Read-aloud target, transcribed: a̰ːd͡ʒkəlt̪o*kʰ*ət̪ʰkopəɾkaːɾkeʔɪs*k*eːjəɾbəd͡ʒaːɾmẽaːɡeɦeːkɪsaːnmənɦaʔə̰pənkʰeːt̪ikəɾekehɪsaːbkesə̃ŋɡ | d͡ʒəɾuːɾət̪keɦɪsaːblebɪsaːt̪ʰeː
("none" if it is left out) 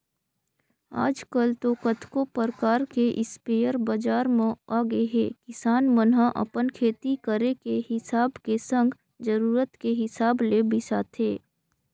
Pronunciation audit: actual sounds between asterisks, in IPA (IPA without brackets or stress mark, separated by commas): k, p